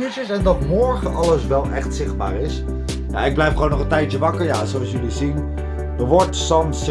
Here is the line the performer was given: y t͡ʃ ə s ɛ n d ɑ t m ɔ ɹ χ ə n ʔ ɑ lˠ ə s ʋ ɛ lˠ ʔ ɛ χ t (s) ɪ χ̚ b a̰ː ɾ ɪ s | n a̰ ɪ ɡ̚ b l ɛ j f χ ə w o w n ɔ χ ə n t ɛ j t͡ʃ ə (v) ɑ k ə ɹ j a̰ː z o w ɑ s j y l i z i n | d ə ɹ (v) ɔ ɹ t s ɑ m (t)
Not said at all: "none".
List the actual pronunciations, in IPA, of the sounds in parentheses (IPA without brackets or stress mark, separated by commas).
s, ʋ, ʋ, s